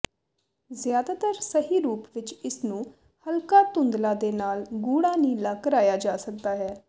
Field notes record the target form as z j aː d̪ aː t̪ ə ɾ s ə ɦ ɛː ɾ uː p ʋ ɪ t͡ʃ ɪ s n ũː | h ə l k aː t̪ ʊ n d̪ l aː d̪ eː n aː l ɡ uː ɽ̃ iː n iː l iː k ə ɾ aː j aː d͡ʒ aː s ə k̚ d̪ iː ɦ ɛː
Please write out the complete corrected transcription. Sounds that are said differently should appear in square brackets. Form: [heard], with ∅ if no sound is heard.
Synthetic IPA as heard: z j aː d̪ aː t̪ ə ɾ s ə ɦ [iː] ɾ uː p ʋ ɪ t͡ʃ ɪ s n ũː | h ə l k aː t̪ ʊ n d̪ l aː d̪ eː n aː l ɡ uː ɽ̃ [aː] n iː l [aː] k ə ɾ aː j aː d͡ʒ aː s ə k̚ d̪ [aː] ɦ ɛː